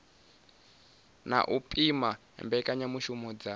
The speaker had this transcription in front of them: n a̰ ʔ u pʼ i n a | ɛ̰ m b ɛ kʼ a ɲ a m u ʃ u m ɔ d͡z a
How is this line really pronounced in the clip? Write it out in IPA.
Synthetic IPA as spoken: n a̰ ʔ u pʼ i m a | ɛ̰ m b ɛ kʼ a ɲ a m u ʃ u m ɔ d͡z a